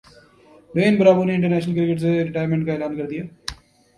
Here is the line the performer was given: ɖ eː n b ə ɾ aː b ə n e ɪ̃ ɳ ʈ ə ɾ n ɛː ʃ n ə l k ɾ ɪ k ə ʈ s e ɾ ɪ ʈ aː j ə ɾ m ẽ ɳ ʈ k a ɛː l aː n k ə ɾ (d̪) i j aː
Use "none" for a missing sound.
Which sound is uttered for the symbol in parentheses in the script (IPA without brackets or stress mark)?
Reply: d̪